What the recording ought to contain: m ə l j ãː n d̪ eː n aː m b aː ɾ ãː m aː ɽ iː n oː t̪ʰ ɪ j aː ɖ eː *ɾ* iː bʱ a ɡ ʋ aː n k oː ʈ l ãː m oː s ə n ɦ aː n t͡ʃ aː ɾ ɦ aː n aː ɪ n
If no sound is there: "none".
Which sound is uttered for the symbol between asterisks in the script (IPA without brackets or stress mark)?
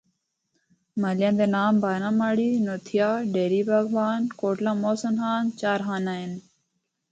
ɾ